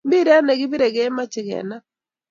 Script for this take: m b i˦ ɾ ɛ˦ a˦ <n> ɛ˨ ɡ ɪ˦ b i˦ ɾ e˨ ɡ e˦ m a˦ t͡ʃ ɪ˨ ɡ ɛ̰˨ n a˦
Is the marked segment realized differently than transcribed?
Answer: no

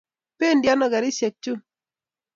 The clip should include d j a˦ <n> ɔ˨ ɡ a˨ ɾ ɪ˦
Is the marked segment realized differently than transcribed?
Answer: no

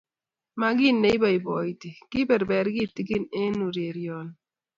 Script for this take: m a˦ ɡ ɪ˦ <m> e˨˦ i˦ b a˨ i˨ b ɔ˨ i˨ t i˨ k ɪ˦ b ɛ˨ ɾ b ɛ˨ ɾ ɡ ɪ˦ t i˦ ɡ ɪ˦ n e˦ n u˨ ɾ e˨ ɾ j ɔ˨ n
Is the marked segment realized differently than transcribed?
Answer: yes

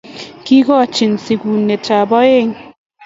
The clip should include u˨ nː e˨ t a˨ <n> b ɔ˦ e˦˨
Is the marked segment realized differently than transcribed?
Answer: yes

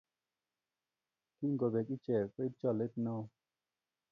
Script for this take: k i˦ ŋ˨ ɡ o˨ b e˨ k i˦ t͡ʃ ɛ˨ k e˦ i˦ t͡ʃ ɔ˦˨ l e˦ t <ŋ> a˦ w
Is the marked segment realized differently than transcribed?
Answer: yes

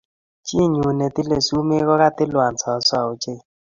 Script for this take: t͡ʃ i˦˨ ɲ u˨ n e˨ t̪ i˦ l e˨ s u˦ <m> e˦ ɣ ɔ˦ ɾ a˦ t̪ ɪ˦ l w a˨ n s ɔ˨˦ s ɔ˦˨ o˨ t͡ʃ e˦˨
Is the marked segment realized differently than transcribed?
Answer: no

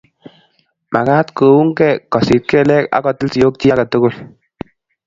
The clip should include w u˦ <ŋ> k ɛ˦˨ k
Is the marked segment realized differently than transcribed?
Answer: no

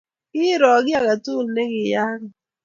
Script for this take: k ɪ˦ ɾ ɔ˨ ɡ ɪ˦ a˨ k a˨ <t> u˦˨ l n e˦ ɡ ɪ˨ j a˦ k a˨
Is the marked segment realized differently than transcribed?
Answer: no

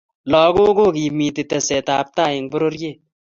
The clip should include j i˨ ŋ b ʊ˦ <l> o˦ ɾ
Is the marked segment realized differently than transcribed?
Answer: yes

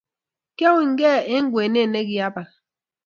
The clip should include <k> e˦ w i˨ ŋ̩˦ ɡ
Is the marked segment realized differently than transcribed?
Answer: no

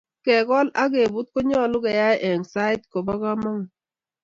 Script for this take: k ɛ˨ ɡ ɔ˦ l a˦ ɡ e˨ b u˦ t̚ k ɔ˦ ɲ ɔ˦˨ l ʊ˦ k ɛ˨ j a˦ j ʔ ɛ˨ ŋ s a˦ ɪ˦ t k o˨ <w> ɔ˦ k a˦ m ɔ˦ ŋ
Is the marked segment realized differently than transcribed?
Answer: yes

